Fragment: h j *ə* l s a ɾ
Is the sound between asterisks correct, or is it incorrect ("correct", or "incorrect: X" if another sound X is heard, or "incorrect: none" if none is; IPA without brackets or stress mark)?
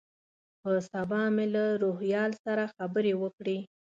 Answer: incorrect: ɑ